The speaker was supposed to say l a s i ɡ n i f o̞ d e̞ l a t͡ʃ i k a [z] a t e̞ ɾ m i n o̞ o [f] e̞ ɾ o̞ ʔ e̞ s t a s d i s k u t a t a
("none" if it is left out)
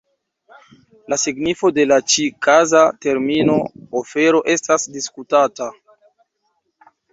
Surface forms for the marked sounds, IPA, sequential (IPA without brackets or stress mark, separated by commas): z, f